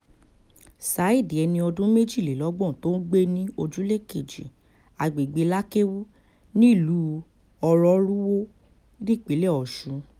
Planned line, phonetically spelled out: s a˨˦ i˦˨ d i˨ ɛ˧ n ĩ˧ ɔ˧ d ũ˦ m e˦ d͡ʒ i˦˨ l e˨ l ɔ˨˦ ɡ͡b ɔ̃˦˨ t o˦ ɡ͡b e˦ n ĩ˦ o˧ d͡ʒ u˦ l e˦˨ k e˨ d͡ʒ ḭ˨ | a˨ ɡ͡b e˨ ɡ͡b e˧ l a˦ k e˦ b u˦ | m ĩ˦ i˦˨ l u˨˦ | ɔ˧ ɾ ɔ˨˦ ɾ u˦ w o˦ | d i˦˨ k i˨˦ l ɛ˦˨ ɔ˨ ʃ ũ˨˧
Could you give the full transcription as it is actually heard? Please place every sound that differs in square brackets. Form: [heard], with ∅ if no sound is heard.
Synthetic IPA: s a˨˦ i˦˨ d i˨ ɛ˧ n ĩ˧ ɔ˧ d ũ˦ m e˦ d͡ʒ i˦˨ l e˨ l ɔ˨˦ ɡ͡b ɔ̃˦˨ t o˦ ɡ͡b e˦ n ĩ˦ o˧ d͡ʒ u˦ l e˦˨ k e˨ d͡ʒ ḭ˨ | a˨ ɡ͡b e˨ ɡ͡b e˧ l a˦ k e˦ [w] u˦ | [n] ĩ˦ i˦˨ l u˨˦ | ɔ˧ ɾ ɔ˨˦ ɾ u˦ w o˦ | d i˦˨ [k͡p] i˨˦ l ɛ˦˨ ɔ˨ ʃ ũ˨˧